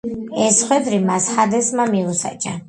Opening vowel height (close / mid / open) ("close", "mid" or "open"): mid